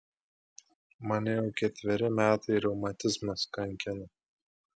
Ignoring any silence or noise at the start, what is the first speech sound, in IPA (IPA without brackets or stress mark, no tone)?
m